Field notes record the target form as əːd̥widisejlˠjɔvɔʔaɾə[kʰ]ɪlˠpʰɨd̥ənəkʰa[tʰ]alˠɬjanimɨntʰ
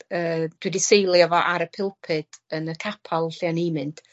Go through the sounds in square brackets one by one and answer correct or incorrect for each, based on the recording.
incorrect, incorrect

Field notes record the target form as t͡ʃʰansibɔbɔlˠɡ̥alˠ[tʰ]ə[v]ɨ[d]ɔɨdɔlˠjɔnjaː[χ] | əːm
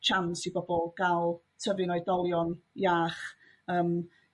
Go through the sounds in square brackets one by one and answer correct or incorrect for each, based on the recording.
correct, correct, incorrect, correct

